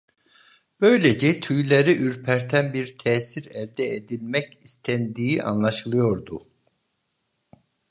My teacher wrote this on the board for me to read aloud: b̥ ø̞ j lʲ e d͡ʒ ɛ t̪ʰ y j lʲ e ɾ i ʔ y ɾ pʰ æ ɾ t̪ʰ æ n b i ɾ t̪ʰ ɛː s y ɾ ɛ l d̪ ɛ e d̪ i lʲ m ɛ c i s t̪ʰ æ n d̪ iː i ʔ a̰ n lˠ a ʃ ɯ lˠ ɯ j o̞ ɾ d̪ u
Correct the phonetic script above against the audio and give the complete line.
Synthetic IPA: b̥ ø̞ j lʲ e d͡ʒ ɛ t̪ʰ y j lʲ e ɾ i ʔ y ɾ pʰ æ ɾ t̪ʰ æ n b i ɾ t̪ʰ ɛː s i ɾ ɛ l d̪ ɛ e d̪ i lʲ m ɛ c i s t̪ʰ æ n d̪ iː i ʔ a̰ n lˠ a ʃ ɯ lˠ ɯ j o̞ ɾ d̪ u